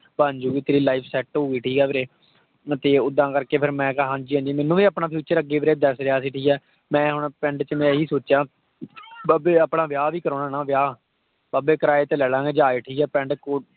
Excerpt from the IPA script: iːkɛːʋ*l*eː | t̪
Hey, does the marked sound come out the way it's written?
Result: no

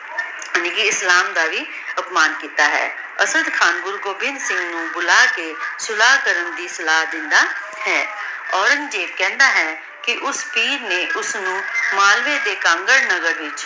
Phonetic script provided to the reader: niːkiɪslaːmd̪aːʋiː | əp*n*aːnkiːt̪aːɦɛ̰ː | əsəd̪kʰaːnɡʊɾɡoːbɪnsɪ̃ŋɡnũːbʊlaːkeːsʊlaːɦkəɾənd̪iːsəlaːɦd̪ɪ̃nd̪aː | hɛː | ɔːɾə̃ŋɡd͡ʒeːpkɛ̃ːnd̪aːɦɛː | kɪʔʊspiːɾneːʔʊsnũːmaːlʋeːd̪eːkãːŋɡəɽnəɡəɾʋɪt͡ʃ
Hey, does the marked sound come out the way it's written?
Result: no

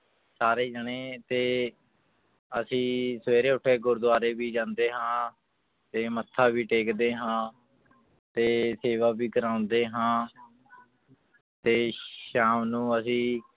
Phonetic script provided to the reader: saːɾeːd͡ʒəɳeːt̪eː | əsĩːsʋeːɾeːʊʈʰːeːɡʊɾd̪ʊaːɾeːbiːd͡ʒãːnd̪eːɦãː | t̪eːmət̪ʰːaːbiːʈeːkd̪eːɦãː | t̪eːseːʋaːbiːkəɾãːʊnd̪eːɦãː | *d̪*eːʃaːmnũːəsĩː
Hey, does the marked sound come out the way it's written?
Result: no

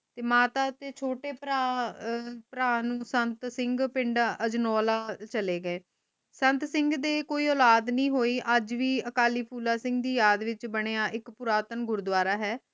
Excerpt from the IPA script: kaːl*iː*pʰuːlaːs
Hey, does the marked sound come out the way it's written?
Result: yes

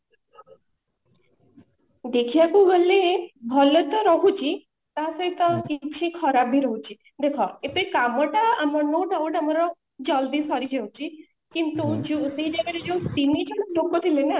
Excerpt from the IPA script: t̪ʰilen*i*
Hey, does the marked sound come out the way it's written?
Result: no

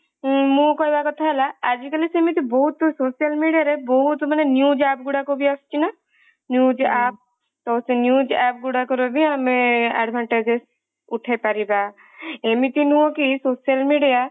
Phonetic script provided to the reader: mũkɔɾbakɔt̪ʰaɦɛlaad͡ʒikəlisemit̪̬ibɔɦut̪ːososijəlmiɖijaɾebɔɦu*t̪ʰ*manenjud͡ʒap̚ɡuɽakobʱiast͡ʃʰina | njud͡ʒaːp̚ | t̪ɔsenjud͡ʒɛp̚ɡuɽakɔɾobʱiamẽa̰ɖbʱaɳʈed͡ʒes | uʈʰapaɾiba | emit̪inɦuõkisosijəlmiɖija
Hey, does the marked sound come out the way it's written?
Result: no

